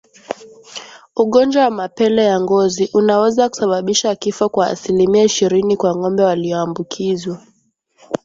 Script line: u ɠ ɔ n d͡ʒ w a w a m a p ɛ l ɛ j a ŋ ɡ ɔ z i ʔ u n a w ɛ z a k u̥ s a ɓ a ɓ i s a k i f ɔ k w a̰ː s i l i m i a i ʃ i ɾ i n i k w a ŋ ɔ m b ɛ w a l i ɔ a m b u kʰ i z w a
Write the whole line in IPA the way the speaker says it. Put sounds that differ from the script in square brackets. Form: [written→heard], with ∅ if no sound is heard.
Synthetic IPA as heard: u ɠ ɔ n d͡ʒ w a w a m a p ɛ l ɛ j a ŋ ɡ ɔ z i ʔ u n a w ɛ z a k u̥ s a ɓ a ɓ i [s→ʃ] a k i f ɔ k w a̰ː s i l i m i a i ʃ i ɾ i n i k w a ŋ ɔ m b ɛ w a l i ɔ a m b u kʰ i z w a